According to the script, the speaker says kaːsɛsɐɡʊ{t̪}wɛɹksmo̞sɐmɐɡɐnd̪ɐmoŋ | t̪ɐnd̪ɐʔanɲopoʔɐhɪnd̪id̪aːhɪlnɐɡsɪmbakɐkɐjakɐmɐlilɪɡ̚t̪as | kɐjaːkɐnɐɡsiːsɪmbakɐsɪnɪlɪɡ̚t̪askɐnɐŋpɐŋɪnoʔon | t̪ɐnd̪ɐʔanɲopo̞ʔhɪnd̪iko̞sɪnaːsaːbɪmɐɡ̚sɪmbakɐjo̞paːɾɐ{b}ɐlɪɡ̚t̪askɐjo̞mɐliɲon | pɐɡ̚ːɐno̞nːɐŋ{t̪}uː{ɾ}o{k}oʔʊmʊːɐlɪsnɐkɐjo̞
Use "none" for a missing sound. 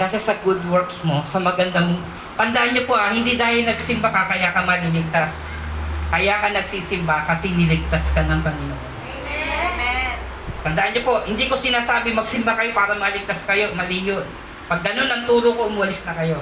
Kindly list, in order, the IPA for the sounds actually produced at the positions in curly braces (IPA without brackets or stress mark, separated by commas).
d̪, m, t̪, ɾ, k